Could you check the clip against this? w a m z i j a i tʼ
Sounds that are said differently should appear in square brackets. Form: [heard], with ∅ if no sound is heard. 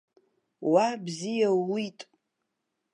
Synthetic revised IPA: w a [b] z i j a i tʼ